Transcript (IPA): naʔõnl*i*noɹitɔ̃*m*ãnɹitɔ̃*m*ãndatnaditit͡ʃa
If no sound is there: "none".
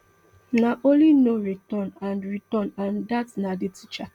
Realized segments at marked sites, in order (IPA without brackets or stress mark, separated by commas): i, n, n